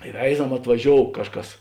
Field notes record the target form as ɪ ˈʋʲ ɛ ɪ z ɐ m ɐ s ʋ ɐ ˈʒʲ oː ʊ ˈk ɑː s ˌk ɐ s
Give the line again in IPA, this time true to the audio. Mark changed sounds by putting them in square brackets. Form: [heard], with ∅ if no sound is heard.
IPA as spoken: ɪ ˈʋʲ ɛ ɪ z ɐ m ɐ [t] ʋ ɐ ˈʒʲ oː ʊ ˈk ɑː [ʃ] ˌk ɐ s